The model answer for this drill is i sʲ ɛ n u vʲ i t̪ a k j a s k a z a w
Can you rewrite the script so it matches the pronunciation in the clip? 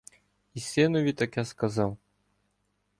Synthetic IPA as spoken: i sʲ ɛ n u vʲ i t̪ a k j a s k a z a w